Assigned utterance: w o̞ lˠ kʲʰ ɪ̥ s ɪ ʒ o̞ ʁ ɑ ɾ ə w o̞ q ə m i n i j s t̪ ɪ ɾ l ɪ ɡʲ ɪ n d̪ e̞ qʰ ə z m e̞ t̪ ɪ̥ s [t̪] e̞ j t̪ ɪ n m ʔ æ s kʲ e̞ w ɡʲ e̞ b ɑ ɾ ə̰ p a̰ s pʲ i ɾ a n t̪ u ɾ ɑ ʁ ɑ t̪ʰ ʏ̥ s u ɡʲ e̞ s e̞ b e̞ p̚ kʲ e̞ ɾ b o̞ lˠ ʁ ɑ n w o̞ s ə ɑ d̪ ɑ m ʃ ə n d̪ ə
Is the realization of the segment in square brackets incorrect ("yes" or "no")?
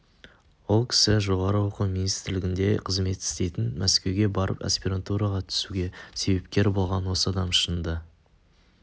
no